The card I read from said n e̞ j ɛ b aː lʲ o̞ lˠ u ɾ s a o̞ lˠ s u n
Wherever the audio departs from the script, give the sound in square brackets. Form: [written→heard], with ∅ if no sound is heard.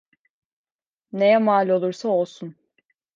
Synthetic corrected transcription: n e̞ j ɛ [b→m] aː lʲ o̞ lˠ u ɾ s a o̞ lˠ s u n